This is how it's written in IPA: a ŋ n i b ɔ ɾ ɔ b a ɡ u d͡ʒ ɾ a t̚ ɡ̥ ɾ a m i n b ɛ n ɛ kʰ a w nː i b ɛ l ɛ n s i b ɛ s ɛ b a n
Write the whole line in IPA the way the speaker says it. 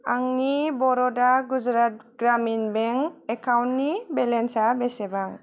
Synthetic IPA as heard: a ŋ n i b ɔ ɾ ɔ d a ɡ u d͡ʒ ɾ a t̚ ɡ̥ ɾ a m i n b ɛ ŋ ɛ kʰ a w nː i b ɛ l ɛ n s a b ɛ s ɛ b a ŋ